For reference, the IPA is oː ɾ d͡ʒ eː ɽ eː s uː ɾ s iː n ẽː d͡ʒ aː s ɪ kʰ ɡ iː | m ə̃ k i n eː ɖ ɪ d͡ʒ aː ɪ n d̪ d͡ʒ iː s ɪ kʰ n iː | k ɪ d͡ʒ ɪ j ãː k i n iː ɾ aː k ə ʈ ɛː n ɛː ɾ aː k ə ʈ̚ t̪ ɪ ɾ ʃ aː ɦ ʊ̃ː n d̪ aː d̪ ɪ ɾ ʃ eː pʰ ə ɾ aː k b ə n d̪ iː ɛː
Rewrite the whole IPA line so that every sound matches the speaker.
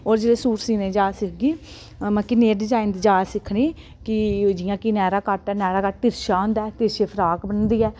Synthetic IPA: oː ɾ d͡ʒ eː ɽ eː s uː ɾ s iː n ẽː d͡ʒ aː s ɪ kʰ ɡ iː | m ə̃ k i n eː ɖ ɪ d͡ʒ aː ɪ n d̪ d͡ʒ aː s ɪ kʰ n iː | k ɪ d͡ʒ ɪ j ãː k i n ɛː ɾ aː k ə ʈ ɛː n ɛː ɾ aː k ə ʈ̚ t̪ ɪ ɾ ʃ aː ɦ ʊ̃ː n d̪ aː t̪ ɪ ɾ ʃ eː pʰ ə ɾ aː k b ə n d̪ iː ɛː